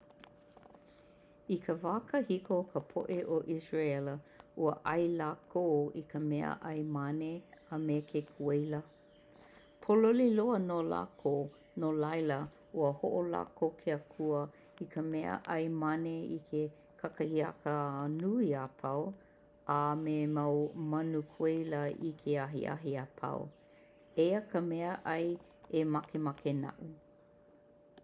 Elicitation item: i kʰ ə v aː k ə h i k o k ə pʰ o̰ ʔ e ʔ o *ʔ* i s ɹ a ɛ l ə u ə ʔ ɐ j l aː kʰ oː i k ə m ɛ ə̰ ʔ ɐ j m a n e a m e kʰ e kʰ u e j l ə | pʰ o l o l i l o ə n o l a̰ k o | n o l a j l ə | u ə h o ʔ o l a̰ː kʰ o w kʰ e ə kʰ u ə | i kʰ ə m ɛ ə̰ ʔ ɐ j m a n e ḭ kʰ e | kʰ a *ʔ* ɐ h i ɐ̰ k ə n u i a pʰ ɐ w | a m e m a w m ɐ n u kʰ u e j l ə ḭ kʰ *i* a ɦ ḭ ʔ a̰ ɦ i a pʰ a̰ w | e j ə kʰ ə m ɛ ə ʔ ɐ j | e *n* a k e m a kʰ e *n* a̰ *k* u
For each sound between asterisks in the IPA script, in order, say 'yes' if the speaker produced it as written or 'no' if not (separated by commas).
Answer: yes, no, no, no, yes, no